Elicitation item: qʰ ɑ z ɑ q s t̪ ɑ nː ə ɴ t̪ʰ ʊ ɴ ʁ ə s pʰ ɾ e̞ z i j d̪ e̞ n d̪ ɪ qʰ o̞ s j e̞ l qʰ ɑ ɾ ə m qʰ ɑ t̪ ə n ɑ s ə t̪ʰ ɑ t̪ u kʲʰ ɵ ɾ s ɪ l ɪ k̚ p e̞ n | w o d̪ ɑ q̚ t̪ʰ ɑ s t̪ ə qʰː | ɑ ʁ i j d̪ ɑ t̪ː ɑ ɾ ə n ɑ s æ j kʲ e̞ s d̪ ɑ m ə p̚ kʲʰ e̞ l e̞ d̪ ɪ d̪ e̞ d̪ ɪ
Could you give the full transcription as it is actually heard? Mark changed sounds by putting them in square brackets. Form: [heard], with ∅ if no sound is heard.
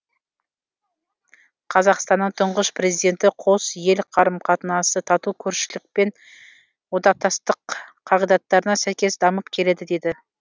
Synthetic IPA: qʰ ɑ z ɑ q s t̪ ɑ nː ə ɴ t̪ʰ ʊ ɴ ʁ ə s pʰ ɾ e̞ z i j d̪ e̞ n [t̪] ɪ qʰ o̞ s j e̞ l qʰ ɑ ɾ ə m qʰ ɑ t̪ ə n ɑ s ə t̪ʰ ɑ t̪ u kʲʰ ɵ ɾ [ʃ] ɪ l ɪ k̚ p e̞ n | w o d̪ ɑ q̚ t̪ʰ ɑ s t̪ ə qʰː | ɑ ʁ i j d̪ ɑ t̪ː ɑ ɾ ə n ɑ s æ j kʲ e̞ s d̪ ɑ m ə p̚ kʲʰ e̞ l e̞ d̪ ɪ d̪ e̞ d̪ ɪ